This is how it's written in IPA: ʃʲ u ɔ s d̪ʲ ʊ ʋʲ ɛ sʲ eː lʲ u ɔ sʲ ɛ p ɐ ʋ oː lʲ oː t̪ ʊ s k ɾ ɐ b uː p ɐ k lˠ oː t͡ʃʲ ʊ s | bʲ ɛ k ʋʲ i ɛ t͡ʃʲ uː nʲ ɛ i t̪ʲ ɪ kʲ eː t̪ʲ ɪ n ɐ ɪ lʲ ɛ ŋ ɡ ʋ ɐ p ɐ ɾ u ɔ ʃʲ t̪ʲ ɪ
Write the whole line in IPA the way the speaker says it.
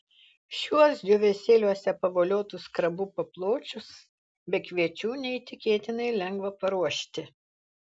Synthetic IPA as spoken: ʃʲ u ɔ s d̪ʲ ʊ ʋʲ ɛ sʲ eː lʲ u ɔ sʲ ɛ p ɐ ʋ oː lʲ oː t̪ ʊ s k ɾ ɐ b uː p ɐ p lˠ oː t͡ʃʲ ʊ s | bʲ ɛ k ʋʲ i ɛ t͡ʃʲ uː nʲ ɛ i t̪ʲ ɪ kʲ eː t̪ʲ ɪ n ɐ ɪ lʲ ɛ ŋ ɡ ʋ ɐ p ɐ ɾ u ɔ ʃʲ t̪ʲ ɪ